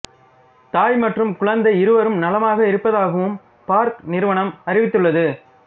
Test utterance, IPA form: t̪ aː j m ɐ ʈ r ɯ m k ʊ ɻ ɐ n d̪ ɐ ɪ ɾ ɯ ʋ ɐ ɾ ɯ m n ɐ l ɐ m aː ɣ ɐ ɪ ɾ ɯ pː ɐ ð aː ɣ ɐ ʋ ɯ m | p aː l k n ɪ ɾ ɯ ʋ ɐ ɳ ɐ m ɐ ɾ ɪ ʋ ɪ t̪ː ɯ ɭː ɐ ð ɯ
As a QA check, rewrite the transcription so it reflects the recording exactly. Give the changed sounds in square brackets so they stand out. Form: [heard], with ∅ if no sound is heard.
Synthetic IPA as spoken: t̪ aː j m ɐ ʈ r ɯ m k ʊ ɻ ɐ n d̪ ɐ ɪ ɾ ɯ ʋ ɐ ɾ ɯ m n ɐ l ɐ m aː ɣ ɐ ɪ ɾ ɯ pː ɐ ð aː ɣ ɐ ʋ ɯ m | p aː [ɾ] k n ɪ ɾ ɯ ʋ ɐ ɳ ɐ m ɐ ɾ ɪ ʋ ɪ t̪ː ɯ ɭː ɐ ð ɯ